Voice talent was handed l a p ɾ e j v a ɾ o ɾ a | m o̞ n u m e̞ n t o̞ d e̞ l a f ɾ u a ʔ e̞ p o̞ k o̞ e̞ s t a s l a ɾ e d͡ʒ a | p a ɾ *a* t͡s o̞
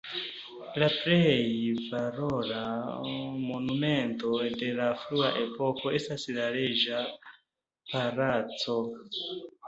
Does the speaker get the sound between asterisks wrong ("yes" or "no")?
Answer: no